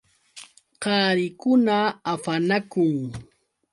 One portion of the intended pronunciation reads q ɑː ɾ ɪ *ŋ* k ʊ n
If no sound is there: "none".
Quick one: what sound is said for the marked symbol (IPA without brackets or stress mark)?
none